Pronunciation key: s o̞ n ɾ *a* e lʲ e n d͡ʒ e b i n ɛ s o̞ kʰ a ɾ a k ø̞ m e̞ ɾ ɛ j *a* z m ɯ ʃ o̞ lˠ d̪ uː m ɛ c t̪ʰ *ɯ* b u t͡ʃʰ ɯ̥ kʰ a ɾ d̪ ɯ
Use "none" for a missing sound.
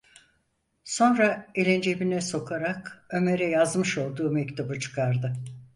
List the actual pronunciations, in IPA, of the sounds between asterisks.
a, a, u

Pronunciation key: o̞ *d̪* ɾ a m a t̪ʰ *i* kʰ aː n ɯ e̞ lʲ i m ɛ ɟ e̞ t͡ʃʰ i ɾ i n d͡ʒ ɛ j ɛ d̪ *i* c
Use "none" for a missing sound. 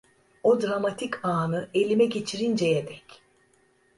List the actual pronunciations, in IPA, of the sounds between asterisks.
d̪, i, ɛ

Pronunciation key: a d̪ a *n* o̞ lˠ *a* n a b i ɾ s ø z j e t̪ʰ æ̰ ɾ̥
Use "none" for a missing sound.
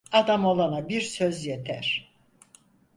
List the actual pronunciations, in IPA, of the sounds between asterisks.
m, a

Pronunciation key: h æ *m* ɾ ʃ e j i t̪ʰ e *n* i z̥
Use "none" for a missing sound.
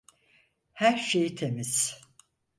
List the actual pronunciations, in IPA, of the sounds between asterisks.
none, m

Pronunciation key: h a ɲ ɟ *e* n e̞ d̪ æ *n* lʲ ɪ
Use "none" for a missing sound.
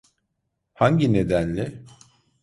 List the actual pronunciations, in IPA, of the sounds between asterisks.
i, n

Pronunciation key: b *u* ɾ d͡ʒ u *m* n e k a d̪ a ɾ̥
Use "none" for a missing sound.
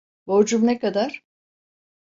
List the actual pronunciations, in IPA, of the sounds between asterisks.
o, m

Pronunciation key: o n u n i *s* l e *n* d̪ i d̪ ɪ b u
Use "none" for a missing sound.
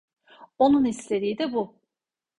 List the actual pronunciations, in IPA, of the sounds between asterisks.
s, none

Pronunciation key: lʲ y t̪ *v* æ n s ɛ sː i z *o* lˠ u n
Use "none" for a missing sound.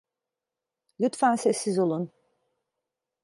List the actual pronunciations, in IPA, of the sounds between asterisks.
f, o

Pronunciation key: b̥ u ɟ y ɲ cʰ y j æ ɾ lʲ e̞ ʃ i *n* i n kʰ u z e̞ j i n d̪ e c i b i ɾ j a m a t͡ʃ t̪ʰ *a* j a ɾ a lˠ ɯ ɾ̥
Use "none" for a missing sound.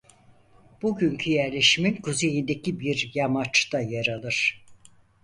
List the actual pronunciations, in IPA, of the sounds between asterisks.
m, a

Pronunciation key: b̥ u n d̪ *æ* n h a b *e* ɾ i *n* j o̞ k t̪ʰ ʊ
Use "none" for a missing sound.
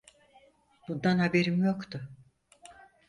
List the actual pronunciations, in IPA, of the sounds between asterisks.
a, e, m

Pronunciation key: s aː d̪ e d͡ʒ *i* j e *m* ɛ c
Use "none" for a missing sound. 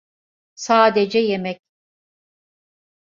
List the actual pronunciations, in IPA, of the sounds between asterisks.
ɛ, m

